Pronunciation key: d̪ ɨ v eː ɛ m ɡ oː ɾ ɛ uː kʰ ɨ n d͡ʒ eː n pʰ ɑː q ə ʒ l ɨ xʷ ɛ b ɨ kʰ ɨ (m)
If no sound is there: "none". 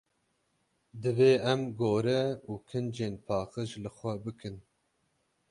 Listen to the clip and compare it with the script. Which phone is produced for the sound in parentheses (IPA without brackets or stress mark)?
n